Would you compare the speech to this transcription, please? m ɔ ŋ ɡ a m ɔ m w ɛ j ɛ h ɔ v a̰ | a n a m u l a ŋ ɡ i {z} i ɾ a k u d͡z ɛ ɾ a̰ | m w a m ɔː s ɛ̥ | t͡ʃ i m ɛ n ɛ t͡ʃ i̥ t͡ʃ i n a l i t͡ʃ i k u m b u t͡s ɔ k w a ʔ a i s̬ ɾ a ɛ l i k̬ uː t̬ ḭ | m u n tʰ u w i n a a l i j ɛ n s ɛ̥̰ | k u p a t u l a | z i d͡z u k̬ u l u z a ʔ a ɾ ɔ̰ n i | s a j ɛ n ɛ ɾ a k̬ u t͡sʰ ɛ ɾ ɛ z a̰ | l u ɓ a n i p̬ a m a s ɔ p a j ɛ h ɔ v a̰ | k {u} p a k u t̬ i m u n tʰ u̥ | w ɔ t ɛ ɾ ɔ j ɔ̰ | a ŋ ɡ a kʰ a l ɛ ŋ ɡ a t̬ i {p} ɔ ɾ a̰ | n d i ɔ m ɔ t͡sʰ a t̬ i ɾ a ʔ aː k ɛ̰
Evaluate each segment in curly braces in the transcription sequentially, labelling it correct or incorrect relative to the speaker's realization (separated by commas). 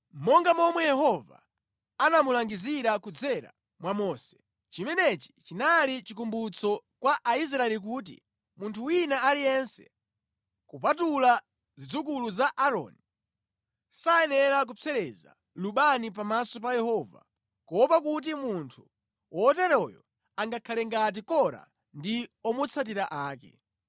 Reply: correct, incorrect, incorrect